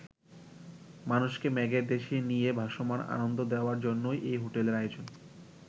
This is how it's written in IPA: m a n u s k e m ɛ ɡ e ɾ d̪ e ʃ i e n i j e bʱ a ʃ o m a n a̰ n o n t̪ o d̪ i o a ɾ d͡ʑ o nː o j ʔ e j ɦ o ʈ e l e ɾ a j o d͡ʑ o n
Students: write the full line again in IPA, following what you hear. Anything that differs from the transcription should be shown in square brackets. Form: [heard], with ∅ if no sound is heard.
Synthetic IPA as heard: m a n u [ʃ] k e m ɛ ɡ e ɾ d̪ e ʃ i e n i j e bʱ a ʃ o m a n a̰ n o n [d̪] o d̪ [e] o a ɾ d͡ʑ o nː o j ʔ e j ɦ o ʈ e l e ɾ a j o d͡ʑ o n